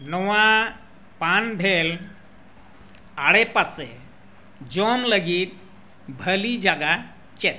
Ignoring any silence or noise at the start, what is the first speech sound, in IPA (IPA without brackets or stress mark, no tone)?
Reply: n